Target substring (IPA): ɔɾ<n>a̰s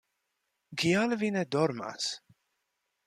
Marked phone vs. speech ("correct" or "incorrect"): incorrect